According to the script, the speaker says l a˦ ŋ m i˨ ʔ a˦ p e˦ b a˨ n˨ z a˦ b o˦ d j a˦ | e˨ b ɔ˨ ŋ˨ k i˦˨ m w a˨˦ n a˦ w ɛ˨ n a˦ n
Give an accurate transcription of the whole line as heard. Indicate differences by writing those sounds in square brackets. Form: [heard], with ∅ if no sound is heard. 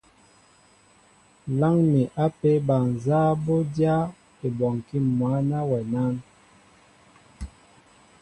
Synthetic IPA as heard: l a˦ ŋ m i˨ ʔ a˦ p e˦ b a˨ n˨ z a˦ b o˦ d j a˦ | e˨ b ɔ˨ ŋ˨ k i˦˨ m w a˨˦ n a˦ w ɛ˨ n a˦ n